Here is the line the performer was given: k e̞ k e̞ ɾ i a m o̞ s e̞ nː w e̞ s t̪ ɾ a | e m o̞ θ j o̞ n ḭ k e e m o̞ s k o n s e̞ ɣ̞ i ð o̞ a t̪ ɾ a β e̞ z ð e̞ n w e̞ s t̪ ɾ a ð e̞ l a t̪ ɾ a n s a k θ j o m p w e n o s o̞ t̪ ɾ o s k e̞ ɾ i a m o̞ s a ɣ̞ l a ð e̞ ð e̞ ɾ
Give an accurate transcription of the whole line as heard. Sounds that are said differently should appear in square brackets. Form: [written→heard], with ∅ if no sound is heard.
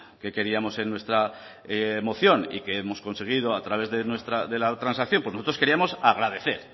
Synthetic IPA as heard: k e̞ k e̞ ɾ i a m o̞ s e̞ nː w e̞ s t̪ ɾ a | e m o̞ θ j o̞ n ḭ k e e m o̞ s k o n s e̞ ɣ̞ i ð o̞ a t̪ ɾ a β e̞ z ð e̞ n w e̞ s t̪ ɾ a ð e̞ l a t̪ ɾ a n s a k θ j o m p w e n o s o̞ t̪ ɾ o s k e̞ ɾ i a m o̞ s a ɣ̞ [l→ɾ] a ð e̞ [ð→θ] e̞ ɾ